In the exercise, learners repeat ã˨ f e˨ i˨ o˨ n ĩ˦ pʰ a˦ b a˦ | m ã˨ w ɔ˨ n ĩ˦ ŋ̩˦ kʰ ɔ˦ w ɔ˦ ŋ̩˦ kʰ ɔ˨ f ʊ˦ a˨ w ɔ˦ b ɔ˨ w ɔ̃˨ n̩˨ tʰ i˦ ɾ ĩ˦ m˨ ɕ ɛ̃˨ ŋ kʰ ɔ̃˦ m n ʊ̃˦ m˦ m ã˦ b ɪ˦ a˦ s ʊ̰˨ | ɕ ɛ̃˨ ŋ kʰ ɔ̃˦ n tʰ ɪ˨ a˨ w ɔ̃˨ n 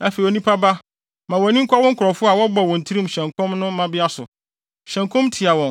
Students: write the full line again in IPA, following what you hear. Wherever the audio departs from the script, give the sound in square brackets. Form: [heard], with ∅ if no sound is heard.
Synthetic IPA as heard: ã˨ f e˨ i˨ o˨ n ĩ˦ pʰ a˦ b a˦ | m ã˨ w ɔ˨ n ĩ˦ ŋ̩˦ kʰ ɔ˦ w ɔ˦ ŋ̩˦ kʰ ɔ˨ f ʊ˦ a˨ w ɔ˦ b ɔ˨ w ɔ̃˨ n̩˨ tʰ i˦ ɾ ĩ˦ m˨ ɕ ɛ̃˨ ŋ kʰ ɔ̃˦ m n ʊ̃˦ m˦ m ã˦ b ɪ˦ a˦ s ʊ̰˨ | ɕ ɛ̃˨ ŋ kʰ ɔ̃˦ [m] tʰ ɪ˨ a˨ w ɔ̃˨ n

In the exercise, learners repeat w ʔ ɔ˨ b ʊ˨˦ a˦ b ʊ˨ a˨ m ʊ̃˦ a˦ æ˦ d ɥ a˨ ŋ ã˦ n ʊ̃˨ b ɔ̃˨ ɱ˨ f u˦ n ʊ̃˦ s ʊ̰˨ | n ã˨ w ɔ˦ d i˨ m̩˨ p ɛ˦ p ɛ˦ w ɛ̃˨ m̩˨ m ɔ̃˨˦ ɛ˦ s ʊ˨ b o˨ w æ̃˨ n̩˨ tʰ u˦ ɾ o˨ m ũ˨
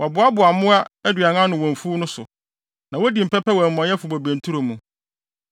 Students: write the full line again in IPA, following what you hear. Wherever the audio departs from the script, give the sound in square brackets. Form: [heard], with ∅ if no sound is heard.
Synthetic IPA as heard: w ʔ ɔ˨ b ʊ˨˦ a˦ b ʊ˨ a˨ m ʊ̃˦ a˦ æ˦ d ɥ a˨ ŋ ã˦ n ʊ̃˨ [w] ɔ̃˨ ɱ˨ f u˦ n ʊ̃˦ s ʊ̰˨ | n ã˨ w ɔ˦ d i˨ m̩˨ p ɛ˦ p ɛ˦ w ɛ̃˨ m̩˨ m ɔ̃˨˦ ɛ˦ [f] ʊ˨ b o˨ [b] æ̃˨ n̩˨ tʰ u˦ ɾ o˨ m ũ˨

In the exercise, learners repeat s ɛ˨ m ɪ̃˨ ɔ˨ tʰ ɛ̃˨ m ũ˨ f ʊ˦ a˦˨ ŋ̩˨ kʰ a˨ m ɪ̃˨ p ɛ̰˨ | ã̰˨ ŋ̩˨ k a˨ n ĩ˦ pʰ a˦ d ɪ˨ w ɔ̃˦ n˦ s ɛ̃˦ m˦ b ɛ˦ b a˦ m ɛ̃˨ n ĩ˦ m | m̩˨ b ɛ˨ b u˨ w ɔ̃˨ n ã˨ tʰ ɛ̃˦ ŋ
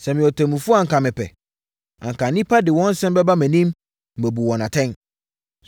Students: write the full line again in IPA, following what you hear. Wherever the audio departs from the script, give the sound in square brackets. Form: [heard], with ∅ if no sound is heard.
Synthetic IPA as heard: s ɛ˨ m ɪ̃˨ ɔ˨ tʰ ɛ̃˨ m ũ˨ f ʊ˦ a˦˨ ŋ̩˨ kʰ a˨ m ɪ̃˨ p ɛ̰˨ | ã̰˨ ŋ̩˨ k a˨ n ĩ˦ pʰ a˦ d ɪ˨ w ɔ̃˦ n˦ s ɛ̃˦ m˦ b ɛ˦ b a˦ m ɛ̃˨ n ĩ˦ m | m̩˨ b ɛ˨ b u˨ w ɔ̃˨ n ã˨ tʰ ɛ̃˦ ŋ

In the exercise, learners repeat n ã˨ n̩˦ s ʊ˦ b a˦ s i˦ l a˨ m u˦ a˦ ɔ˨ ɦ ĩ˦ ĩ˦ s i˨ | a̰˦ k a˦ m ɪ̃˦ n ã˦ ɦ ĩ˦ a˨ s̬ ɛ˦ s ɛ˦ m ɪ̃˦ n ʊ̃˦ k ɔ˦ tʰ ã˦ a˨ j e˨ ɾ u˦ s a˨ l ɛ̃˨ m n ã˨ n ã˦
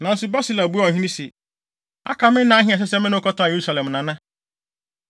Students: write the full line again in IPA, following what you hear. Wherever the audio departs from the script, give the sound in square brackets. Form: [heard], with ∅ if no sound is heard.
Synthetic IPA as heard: n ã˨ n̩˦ s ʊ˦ b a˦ s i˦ l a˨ [b] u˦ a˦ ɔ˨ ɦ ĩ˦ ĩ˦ s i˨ | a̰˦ k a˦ m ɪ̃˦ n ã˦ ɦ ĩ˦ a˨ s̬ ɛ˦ s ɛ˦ m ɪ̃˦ n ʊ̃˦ k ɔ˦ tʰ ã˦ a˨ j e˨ ɾ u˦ s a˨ l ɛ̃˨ m n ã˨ n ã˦

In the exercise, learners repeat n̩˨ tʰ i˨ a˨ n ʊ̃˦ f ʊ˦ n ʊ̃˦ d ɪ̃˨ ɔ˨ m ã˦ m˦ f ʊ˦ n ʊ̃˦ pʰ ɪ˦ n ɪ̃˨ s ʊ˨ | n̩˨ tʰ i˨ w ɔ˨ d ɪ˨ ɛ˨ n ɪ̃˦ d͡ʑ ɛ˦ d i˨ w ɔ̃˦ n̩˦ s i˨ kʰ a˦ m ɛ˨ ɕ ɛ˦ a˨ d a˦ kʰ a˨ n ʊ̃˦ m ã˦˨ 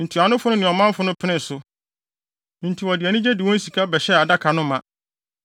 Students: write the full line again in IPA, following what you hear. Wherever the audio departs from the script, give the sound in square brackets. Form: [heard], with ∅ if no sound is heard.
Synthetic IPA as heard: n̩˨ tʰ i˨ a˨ n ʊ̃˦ f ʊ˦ n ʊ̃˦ [n] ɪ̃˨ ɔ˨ m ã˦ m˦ f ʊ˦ n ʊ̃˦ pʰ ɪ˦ n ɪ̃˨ s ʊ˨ | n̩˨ tʰ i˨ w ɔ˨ d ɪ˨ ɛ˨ n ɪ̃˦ d͡ʑ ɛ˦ d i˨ w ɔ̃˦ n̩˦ s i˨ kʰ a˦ [b] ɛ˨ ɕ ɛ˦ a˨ d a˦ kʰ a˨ n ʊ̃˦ m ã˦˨

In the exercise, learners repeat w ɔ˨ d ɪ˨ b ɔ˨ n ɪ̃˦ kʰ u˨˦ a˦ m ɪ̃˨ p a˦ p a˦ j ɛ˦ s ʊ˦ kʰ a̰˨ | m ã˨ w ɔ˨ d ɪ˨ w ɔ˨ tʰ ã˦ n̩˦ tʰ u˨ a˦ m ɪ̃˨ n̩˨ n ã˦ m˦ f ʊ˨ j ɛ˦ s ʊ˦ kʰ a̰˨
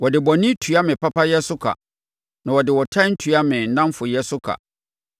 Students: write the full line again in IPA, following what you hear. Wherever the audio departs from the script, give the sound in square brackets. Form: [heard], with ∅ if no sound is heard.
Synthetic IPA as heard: w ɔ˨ d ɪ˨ b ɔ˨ n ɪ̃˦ [tʰ] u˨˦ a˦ m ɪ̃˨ p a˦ p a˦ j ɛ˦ s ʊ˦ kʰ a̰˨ | [n] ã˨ w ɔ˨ d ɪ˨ w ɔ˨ tʰ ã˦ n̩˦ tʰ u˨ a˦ m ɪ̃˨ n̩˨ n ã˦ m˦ f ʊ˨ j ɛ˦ s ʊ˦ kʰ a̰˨

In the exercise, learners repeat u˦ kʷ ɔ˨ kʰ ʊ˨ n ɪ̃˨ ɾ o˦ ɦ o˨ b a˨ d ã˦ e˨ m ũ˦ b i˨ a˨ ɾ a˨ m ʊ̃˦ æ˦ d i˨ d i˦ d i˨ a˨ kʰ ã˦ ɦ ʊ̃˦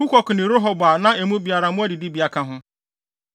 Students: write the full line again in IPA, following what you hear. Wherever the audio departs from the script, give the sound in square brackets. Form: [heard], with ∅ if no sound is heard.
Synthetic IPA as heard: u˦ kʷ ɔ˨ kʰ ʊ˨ n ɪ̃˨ ɾ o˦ ɦ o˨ b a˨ [n] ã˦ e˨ m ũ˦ b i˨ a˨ ɾ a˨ m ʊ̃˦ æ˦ d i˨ d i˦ [b] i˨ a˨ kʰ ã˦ ɦ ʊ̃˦

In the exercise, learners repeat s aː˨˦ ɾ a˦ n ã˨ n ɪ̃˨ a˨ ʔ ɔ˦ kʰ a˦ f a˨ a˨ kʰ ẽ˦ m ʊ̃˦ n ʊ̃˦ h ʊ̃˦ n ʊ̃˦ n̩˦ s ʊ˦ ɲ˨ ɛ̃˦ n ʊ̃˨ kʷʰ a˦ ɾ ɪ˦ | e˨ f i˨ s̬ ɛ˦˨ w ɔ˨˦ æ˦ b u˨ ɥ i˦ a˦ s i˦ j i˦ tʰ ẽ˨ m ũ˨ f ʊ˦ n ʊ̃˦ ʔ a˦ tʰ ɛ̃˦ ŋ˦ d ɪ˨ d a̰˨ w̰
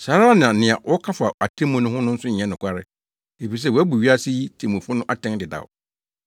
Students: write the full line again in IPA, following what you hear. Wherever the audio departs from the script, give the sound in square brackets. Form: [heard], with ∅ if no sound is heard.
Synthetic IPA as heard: s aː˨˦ ɾ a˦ n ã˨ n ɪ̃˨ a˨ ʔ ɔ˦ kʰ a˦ f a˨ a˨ [tʰ] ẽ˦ m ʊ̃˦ n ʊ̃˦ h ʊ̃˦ n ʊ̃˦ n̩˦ s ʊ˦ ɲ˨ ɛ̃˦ n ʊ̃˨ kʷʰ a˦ ɾ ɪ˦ | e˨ f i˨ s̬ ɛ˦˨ w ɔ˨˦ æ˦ b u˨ ɥ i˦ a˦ s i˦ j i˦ tʰ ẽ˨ m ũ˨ f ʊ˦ n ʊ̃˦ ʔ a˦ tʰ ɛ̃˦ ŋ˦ d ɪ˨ d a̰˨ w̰

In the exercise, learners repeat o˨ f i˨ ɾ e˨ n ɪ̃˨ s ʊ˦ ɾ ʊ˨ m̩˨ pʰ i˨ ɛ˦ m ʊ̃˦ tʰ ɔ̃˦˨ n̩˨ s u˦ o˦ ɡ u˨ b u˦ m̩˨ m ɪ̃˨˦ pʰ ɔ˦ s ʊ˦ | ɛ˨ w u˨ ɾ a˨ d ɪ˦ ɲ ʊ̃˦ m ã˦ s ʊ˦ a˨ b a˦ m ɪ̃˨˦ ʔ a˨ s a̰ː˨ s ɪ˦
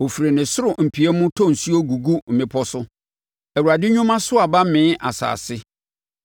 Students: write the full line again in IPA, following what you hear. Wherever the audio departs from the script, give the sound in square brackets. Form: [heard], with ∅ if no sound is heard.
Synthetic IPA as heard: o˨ f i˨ ɾ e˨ n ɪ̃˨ s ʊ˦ ɾ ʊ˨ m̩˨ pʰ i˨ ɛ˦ m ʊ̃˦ tʰ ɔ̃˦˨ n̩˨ s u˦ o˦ ɡ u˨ [ɡ] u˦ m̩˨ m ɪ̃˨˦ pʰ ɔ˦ s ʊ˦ | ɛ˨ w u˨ ɾ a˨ d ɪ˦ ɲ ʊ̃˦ m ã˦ s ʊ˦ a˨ b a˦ m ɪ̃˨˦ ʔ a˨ s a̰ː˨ s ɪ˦

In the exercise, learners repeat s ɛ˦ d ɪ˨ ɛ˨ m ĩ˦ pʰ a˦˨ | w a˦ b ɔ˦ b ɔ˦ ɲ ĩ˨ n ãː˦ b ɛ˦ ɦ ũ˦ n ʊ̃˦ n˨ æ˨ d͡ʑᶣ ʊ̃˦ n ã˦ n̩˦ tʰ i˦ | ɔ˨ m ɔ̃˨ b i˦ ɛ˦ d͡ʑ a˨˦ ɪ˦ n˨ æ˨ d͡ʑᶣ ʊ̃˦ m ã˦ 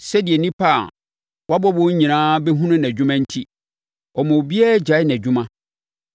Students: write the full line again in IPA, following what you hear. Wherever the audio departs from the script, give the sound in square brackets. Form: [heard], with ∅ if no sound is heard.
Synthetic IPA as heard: s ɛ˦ d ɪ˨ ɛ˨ [n] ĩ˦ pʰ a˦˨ | w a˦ b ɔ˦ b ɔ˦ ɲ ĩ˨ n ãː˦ b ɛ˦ ɦ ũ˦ n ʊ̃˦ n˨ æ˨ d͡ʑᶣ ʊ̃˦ [m] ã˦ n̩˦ tʰ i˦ | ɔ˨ m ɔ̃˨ b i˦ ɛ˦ d͡ʑ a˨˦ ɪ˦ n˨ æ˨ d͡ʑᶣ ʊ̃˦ m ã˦

